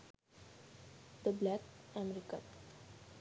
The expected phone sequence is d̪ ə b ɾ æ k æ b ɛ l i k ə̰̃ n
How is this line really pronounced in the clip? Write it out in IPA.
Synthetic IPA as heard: d̪ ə b l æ k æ m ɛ ɾ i k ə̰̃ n